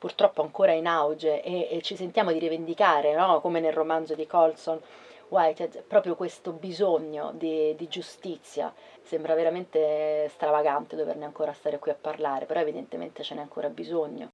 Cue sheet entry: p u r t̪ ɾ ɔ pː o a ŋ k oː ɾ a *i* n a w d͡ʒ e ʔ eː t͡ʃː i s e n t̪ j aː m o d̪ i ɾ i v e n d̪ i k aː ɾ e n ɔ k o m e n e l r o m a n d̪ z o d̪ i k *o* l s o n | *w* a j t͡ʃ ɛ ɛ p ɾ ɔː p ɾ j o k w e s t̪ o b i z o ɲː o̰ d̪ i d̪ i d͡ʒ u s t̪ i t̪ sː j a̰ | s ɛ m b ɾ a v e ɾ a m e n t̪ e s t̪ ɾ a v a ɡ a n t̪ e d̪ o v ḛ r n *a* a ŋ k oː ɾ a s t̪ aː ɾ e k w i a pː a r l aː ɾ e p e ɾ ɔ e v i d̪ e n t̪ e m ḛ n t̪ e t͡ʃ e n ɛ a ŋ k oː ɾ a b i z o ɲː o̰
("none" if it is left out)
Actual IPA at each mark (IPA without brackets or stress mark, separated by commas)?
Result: i, ɔ, w, e